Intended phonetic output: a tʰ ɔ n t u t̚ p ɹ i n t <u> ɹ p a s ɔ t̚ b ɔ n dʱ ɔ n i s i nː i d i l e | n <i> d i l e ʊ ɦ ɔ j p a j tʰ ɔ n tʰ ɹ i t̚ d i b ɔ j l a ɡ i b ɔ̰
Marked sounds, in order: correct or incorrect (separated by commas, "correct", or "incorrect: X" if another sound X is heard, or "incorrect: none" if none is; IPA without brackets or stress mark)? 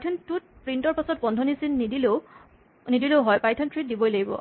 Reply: incorrect: ɔ, correct